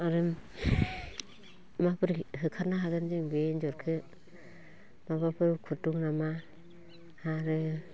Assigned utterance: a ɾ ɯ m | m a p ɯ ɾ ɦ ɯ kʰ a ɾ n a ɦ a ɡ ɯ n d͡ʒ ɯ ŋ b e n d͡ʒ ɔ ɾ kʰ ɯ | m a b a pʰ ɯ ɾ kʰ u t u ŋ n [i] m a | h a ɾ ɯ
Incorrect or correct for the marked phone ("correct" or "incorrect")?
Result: incorrect